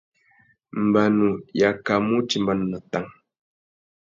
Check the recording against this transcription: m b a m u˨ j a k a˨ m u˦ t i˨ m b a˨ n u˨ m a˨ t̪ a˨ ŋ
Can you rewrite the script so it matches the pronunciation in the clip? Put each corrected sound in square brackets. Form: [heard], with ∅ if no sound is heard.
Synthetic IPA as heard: m b a [n] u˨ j a k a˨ m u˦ [t͡ʃ] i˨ m b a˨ n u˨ [n] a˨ t̪ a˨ ŋ